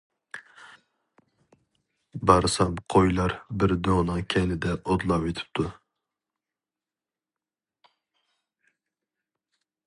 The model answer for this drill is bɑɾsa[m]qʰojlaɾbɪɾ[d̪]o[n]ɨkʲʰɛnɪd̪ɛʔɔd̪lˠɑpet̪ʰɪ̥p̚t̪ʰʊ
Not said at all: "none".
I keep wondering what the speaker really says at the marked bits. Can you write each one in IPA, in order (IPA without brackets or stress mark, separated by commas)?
m, d̪, n